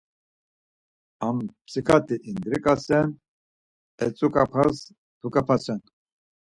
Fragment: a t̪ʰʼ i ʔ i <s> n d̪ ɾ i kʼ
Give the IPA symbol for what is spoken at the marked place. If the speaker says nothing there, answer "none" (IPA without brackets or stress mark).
none